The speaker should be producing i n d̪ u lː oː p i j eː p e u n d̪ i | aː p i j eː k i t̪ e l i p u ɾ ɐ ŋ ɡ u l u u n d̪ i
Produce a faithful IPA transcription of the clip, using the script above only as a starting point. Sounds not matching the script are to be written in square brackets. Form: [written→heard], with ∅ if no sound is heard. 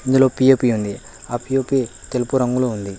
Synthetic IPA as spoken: i n d̪ u [lː→l] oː p i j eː p [e→i] u n d̪ i | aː p i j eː [k→p] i t̪ e l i p u ɾ ɐ ŋ ɡ u l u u n d̪ i